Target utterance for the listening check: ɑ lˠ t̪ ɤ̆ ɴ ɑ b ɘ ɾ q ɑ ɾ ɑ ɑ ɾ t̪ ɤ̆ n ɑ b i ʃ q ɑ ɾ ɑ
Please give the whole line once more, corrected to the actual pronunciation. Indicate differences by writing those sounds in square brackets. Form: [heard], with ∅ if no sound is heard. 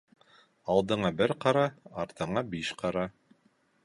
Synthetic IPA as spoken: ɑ lˠ [d̪] ɤ̆ ɴ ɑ b ɘ ɾ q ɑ ɾ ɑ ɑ ɾ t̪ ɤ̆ [ɴ] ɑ b i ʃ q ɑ ɾ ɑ